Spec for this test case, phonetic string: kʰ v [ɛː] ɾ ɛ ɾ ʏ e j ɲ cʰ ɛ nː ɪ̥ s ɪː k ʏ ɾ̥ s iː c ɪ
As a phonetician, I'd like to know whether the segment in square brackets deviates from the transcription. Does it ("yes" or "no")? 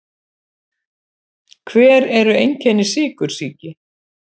no